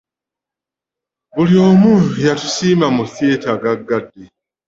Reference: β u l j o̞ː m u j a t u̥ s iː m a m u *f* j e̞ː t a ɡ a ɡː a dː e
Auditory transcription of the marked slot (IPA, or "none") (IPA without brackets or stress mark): θ